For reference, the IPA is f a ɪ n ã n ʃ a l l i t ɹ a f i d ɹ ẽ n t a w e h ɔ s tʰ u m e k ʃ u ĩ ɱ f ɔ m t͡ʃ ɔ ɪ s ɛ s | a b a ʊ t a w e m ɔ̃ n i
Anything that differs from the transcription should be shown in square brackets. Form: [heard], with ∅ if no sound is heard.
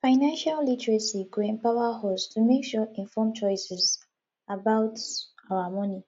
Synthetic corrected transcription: f a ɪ n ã n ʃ a l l i t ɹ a [s] i [ɡ] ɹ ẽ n [p] a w [a] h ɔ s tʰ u m e k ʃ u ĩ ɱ f ɔ m t͡ʃ ɔ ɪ s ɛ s | a b a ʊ t a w [a] m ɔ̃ n i